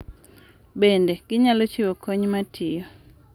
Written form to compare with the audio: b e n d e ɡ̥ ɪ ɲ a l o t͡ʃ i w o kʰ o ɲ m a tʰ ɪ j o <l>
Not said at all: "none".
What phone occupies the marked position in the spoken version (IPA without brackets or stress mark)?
none